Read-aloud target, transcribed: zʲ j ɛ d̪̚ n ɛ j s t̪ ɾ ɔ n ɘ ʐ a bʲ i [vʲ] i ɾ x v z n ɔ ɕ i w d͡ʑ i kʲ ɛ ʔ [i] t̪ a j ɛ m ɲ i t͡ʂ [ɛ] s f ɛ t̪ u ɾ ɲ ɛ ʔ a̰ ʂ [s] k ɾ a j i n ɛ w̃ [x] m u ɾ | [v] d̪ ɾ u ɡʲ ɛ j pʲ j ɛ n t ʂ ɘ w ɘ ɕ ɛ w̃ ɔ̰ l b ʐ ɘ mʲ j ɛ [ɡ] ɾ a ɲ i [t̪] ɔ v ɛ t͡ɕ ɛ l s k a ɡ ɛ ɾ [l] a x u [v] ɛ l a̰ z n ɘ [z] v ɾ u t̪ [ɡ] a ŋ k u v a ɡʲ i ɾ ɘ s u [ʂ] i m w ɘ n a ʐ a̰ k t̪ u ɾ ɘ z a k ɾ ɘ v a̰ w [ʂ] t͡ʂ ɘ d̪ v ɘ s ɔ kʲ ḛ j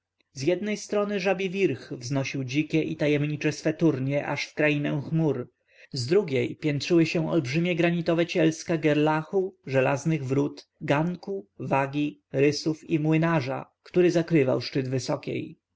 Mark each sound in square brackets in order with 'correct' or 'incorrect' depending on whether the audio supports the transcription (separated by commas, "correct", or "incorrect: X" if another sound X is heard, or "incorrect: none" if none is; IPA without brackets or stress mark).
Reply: correct, correct, correct, incorrect: f, correct, incorrect: z, correct, correct, correct, incorrect: ʐ, incorrect: ɣ, correct, incorrect: f, correct